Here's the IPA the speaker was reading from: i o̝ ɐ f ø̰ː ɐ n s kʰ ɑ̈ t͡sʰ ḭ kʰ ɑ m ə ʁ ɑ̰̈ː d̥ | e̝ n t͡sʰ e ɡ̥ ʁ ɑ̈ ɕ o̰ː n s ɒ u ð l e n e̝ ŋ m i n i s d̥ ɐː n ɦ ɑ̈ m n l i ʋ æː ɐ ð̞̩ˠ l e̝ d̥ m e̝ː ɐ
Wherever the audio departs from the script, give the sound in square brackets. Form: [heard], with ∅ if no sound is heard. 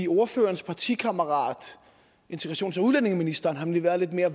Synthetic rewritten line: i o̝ ɐ f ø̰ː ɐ n s [pʰ] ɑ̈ t͡sʰ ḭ kʰ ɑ m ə ʁ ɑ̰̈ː d̥ | e̝ n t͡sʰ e ɡ̥ ʁ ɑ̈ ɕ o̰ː n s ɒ u ð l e n e̝ ŋ m i n i s d̥ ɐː n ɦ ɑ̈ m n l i ʋ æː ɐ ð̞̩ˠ l e̝ d̥ m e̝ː ɐ